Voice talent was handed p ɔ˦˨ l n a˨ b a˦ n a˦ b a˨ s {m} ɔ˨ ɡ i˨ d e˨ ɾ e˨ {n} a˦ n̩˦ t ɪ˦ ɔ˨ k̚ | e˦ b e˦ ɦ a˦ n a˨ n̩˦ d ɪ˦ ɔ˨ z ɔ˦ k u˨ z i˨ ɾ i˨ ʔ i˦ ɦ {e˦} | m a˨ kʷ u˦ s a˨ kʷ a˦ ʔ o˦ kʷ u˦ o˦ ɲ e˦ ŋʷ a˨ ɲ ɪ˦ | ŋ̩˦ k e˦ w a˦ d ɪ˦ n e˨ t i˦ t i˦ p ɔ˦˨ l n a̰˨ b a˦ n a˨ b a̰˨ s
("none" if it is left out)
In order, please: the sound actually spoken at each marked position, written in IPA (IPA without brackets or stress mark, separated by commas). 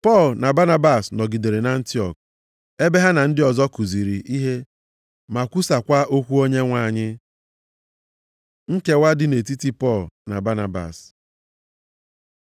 n, n, e˦